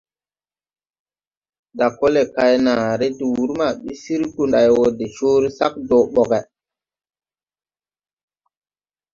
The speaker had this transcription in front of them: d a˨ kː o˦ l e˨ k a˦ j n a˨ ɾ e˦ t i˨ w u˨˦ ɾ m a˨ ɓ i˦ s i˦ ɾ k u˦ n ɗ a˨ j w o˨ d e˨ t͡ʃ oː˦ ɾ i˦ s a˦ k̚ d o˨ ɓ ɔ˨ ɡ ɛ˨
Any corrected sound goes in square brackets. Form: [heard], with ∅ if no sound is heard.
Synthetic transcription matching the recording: d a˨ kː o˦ l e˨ k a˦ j n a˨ ɾ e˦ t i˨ w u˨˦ ɾ m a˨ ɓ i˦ s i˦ ɾ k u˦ n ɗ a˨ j w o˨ d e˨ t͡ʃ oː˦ ɾ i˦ s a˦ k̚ d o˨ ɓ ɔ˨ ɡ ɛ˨